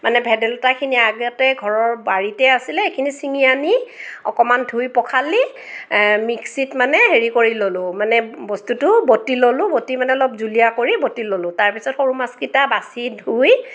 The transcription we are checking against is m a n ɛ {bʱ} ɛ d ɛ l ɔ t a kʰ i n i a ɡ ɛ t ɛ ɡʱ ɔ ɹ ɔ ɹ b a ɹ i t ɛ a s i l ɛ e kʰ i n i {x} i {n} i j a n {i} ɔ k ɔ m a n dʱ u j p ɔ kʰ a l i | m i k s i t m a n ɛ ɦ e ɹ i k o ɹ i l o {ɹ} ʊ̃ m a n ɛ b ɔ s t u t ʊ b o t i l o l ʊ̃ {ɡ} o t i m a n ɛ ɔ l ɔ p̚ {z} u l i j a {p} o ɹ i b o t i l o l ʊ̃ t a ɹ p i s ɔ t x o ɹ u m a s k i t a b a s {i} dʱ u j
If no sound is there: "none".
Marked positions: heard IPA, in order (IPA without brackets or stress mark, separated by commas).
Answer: bʱ, s, ŋ, i, l, b, z, k, i